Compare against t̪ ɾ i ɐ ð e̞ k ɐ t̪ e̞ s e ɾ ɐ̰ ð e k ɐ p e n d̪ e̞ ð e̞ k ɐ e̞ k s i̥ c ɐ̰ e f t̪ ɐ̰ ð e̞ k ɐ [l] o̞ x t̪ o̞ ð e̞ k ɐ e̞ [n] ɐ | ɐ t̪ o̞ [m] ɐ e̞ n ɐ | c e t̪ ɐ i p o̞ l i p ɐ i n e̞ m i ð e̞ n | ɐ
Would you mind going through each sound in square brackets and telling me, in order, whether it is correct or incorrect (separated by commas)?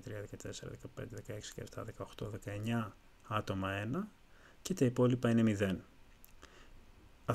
incorrect, incorrect, correct